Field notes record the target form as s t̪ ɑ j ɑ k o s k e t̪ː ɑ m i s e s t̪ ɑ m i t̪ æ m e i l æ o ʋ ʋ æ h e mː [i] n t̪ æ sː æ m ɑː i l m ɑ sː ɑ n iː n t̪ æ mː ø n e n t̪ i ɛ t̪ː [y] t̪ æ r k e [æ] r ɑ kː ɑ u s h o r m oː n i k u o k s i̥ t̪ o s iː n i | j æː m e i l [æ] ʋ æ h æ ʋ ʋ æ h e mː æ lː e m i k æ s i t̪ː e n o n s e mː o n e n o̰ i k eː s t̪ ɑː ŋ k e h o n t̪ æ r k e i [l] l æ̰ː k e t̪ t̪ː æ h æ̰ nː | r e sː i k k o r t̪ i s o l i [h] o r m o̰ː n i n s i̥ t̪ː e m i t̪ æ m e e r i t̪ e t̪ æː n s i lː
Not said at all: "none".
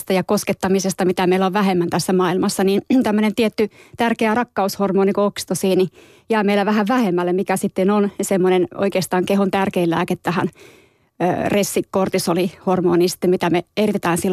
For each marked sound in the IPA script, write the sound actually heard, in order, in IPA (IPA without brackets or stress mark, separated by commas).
æ, y, æ, æ, l, h